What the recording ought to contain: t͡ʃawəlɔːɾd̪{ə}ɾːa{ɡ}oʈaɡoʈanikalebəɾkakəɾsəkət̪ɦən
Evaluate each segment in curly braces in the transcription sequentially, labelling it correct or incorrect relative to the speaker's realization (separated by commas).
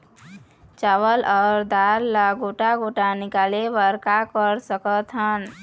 incorrect, correct